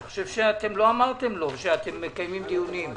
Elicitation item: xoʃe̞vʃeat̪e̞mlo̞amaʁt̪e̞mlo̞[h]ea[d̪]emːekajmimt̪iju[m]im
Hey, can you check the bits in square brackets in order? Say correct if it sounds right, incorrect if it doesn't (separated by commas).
incorrect, incorrect, incorrect